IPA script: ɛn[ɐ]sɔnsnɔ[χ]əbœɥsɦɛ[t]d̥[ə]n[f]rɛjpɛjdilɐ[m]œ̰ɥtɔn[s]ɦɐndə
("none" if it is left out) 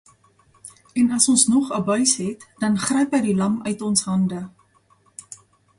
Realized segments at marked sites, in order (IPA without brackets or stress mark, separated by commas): ɐ, χ, t, ɐ, χ, m, s